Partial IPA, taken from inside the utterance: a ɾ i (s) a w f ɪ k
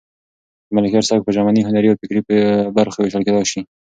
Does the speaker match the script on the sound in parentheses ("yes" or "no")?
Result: no